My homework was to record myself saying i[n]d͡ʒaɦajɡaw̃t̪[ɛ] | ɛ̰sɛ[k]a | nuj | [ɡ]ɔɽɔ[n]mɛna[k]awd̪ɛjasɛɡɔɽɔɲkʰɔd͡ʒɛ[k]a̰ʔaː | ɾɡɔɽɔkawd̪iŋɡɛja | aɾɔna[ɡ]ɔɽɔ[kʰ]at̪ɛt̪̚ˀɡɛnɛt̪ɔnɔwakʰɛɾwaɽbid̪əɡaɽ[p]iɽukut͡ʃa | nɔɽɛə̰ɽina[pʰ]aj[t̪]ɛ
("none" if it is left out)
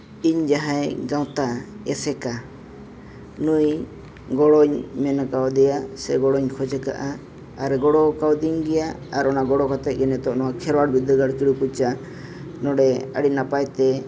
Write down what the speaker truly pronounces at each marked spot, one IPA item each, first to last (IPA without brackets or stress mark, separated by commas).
ɲ, a, k, ɡ, ɲ, k, k, ɡ, k, k, p, t̪